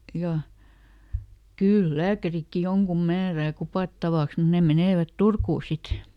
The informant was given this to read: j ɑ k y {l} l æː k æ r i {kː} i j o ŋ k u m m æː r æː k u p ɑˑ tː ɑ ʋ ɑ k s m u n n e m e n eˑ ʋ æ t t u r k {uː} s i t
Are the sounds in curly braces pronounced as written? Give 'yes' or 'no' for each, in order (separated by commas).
yes, yes, yes